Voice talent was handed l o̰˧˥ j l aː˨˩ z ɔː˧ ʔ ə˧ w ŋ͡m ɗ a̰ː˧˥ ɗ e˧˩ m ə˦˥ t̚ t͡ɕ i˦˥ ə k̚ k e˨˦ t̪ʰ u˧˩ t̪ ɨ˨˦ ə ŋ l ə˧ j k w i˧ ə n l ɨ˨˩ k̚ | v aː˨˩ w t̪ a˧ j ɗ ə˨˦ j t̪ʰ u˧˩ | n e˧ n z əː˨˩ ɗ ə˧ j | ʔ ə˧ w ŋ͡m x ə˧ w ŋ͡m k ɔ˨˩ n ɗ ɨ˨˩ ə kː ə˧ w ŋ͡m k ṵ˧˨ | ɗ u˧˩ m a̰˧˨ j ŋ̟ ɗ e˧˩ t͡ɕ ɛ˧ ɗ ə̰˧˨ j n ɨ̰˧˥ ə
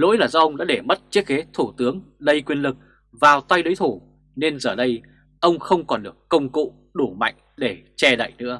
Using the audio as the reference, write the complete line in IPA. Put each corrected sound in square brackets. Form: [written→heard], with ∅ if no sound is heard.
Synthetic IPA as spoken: l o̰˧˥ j l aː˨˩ z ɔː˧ ʔ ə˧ w ŋ͡m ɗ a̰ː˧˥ ɗ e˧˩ m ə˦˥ t̚ t͡ɕ i˦˥ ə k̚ k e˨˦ t̪ʰ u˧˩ t̪ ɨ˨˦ ə ŋ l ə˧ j k w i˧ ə n l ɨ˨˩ k̚ | v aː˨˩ w t̪ a˧ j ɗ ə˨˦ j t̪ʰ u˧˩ | n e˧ n z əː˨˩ ɗ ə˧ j | ʔ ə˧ w ŋ͡m x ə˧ w ŋ͡m k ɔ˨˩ n ɗ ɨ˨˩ ə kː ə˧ w ŋ͡m k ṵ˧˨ | ɗ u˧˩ m a̰˧˨ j ŋ̟ ɗ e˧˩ t͡ɕ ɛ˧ ɗ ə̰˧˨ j n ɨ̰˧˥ ə